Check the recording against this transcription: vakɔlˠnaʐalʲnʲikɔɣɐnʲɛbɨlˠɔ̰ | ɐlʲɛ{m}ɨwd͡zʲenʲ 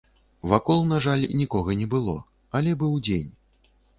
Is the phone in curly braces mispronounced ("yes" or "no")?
yes